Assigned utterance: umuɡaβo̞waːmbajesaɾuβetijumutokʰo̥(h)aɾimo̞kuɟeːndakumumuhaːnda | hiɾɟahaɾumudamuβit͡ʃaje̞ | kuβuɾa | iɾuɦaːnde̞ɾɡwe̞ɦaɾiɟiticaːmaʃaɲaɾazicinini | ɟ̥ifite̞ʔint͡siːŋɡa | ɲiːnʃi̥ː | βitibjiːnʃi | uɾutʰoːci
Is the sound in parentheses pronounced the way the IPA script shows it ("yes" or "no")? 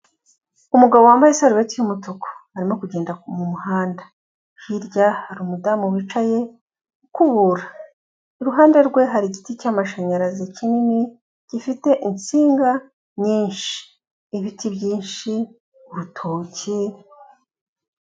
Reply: yes